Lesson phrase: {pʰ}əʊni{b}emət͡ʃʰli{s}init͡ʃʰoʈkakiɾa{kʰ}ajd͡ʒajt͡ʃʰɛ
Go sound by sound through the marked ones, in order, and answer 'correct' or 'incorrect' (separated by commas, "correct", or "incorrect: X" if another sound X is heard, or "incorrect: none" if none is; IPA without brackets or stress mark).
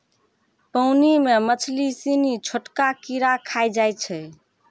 incorrect: p, incorrect: m, correct, correct